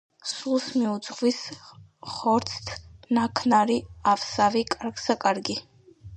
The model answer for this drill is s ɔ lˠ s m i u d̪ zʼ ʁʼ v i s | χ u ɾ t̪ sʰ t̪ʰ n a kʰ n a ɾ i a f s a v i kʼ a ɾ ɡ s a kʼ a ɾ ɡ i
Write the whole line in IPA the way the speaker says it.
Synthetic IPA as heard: s u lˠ s m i u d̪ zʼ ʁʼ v i s | χ ɔ ɾ t̪ sʰ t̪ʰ n a kʰ n a ɾ i a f s a v i kʼ a ɾ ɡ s a kʼ a ɾ ɡ i